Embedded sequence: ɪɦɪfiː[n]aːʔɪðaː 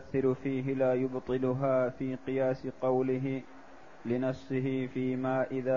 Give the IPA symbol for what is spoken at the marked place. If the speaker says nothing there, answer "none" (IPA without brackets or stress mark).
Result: m